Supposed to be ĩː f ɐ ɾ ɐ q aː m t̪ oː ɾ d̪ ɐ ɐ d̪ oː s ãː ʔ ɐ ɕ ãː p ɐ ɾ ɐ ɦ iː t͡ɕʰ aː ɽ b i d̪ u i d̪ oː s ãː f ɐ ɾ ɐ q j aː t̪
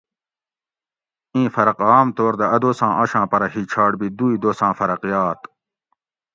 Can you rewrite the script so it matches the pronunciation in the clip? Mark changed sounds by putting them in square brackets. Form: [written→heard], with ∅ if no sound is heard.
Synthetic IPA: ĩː f ɐ ɾ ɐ q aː m t̪ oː ɾ d̪ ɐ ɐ d̪ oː s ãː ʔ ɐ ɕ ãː p ɐ ɾ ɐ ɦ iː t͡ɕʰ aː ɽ b i d̪ u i d̪ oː s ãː f ɐ ɾ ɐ q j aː t̪